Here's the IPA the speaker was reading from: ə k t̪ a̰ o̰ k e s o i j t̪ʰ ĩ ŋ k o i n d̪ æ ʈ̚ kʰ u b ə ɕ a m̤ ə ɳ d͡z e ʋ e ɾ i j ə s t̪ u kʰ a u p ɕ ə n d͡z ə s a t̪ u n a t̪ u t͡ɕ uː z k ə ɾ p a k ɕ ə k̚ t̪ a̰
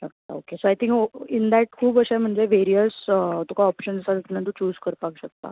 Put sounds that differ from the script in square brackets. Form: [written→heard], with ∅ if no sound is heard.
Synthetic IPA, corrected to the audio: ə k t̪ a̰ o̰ k e s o [i→a] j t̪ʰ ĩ ŋ k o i n d̪ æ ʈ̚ kʰ [u→uː] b ə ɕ a m̤ ə ɳ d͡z e ʋ e ɾ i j ə s t̪ u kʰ a [u→ɔ] p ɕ ə n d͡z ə s a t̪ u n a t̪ u t͡ɕ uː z k ə ɾ p a k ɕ ə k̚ t̪ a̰